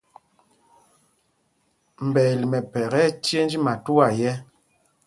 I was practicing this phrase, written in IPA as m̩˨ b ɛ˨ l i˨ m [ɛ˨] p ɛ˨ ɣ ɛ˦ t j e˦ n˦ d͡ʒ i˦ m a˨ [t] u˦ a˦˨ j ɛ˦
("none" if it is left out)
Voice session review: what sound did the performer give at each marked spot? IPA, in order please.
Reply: ɛ˨, t

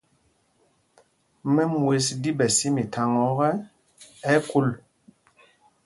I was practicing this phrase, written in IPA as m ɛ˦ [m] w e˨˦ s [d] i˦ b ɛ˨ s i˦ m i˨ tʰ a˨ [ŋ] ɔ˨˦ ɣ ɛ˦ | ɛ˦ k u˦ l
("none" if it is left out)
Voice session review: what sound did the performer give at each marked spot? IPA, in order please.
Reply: m, d, ŋ

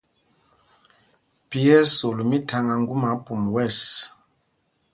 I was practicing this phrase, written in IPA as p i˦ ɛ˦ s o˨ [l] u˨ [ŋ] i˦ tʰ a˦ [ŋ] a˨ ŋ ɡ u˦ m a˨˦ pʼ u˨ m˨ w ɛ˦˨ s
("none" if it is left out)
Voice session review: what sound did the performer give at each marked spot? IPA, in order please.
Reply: l, m, ŋ

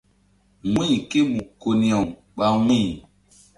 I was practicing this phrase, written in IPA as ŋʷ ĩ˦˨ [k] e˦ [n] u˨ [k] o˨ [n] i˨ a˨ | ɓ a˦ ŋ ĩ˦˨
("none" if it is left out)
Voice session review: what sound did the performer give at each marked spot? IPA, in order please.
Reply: k, m, k, n

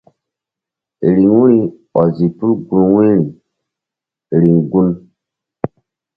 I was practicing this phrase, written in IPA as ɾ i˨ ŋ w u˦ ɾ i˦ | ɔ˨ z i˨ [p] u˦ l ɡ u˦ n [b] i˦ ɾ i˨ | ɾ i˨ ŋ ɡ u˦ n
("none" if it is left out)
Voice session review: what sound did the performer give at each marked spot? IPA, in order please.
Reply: p, w

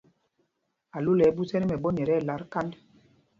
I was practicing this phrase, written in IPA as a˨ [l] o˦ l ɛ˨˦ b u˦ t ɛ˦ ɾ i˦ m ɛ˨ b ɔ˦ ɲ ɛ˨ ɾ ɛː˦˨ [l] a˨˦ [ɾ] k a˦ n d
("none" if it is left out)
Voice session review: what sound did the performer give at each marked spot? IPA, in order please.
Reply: l, l, ɾ

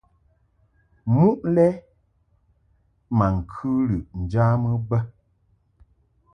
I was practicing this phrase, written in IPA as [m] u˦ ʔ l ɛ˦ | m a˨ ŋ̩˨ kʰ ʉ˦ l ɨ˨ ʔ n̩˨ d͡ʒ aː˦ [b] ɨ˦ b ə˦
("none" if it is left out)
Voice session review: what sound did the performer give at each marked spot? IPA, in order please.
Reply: m, m

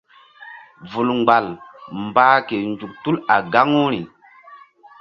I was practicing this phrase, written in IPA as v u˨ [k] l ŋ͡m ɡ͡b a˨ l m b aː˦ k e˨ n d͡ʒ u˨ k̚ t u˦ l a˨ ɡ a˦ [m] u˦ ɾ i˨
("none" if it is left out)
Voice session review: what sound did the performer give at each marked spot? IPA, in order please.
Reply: none, ŋ

